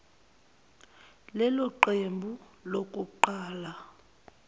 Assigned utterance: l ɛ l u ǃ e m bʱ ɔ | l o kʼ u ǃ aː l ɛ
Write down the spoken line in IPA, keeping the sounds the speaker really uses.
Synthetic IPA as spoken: l ɛ l ɔ ǃ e m bʱ u | l o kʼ u ǃ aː l a

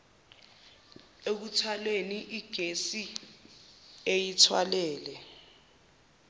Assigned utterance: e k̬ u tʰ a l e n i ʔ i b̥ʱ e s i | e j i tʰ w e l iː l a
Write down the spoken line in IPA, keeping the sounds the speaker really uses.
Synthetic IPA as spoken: e k̬ u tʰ a l e n i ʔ i ɡ̥ʱ e s i | e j i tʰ w a l ɛː l ɛ

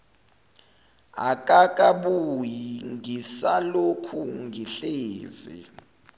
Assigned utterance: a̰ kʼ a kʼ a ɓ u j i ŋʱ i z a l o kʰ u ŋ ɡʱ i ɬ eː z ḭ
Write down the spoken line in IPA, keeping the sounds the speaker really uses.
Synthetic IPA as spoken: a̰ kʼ a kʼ a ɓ u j i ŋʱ i s a l o kʰ u ŋ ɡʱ i ɬ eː z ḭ

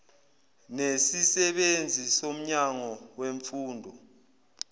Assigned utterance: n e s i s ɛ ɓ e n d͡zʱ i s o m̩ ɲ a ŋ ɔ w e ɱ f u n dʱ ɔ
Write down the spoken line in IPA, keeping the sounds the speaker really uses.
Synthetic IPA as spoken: n e s i s ɛ ɓ e n d͡zʱ i s o m̩ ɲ a ŋ ɔ w e ɱ f uː n dʱ ɔ

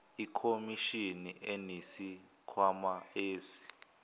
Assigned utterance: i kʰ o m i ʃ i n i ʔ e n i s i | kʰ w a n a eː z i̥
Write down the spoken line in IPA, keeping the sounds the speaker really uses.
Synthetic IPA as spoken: i kʰ o m i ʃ i n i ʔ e n i s i | kʰ w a m a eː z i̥

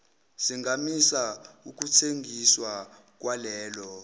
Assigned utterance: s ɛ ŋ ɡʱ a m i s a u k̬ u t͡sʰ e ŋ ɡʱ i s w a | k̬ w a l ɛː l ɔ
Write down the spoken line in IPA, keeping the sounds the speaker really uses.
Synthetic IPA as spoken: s i ŋ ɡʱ a m i s a u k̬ u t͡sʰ e ŋ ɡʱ i s w a | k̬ w a l ɛː l ɔ

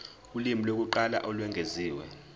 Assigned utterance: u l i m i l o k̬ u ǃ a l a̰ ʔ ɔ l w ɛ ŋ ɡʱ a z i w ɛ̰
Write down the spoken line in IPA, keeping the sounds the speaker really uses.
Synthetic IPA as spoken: u l i m i l o k̬ u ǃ a l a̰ ʔ ɔ l w ɛ ŋ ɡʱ e z iː w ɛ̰

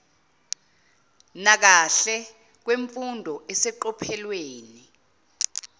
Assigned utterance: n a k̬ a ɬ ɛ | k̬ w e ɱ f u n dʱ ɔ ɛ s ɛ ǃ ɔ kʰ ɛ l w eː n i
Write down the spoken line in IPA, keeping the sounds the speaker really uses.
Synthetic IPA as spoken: n a k̬ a ɬ ɛ | k̬ w e ɱ f u n dʱ ɔ ɛ s ɛ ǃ ɔ pʰ ɛ l w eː n i

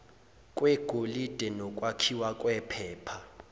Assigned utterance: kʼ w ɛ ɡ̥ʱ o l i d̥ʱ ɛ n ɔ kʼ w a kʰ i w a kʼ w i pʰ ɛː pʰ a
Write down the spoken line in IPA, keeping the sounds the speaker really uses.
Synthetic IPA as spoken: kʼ w ɛ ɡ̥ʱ o l i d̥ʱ ɛ n ɔ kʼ w a kʰ i w a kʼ w ɛ pʰ ɛː pʰ a

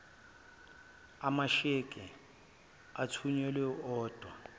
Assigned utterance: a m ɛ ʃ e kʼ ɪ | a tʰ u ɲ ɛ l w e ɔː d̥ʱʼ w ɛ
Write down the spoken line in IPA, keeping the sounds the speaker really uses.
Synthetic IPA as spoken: a m a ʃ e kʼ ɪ | a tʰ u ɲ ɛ l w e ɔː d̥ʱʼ w a

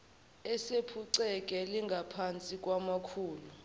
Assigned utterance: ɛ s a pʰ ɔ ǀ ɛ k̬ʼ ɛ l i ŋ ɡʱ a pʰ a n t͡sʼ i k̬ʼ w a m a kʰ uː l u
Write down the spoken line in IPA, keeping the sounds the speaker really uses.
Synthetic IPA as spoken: ɛ s e pʰ u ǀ ɛ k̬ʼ ɛ l i ŋ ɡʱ a pʰ a n t͡sʼ i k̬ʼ w a m a kʰ uː l u

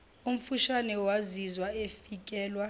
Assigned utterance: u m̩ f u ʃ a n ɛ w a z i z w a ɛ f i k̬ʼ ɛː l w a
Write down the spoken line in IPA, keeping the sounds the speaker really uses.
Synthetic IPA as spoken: u m̩ f u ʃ a n ɛ w a z i z w a e f i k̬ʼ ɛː l w a

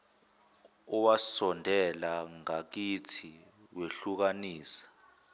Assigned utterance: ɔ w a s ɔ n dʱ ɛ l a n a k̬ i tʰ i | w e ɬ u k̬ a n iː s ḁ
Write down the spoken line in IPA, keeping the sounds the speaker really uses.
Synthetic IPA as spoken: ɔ w a s ɔ n dʱ ɛ l a ŋ a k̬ i tʰ i | w e ɬ u k̬ a n iː s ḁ

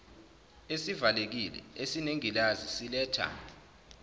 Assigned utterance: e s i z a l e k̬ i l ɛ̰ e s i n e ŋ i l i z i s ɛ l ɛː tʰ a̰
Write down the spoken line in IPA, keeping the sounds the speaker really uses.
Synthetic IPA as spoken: e s i v a l e k̬ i l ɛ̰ e s i n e ŋ i l a z i s i l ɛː tʰ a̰

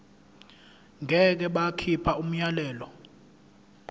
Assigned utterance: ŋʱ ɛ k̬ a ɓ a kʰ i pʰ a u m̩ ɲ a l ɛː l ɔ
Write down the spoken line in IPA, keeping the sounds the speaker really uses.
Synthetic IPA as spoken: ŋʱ ɛ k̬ ɛ ɓ a kʰ i pʰ a u m̩ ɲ a l ɛː l ɔ

